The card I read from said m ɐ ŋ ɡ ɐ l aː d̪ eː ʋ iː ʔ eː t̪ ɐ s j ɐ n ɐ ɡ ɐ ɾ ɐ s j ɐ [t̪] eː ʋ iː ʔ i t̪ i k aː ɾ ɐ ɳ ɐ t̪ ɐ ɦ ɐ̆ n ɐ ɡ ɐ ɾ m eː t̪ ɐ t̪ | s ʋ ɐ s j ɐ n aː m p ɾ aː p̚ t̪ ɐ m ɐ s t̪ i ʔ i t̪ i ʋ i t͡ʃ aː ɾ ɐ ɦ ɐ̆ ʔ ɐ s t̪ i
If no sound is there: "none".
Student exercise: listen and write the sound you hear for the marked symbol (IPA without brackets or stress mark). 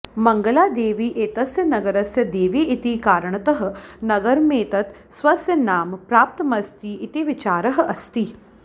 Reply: d̪